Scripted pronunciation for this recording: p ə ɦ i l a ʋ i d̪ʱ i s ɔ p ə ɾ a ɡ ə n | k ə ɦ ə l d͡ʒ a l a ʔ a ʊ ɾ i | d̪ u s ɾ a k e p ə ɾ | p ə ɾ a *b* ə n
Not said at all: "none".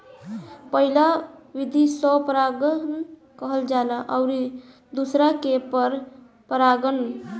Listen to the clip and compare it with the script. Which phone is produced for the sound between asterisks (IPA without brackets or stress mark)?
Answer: ɡ